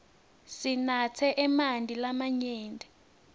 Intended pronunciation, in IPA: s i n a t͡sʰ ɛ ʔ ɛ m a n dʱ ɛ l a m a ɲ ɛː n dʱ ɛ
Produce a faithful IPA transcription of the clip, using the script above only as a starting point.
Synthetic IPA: s i n a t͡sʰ ɛ ʔ ɛ m a n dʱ i l a m a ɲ ɛː n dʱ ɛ

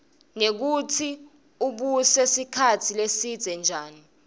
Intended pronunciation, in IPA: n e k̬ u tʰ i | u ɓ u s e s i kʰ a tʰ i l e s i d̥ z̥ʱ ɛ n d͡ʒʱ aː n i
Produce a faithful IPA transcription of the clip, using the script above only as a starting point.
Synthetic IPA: n e k̬ u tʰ i | u ɓ u s e s i kʰ a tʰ i l e s i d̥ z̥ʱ ɛ n d͡ʒʱ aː n i

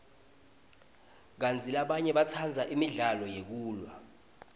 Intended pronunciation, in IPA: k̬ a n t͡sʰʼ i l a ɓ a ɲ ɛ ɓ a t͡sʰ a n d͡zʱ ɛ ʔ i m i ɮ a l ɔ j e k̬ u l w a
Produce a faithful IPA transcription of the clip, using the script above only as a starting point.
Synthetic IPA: k̬ a n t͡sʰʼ i l a ɓ a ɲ ɛ ɓ a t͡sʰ a n d͡zʱ a ʔ i m i ɮ a l ɔ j e k̬ uː l w a

